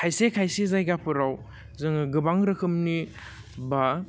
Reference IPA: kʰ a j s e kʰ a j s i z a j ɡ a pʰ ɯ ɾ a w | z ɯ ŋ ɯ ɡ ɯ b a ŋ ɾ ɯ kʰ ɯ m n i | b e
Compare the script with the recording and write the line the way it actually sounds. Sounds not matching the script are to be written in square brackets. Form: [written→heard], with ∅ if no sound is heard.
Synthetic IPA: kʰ a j s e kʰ a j s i z a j ɡ a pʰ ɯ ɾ a w | z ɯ ŋ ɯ ɡ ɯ b a ŋ ɾ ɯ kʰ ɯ m n i | b [e→a]